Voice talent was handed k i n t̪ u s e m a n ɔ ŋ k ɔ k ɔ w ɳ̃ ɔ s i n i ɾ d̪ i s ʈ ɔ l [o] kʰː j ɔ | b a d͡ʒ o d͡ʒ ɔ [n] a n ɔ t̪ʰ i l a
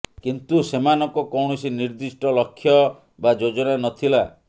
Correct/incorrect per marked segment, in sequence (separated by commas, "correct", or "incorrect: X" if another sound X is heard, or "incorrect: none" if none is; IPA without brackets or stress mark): incorrect: ɔ, correct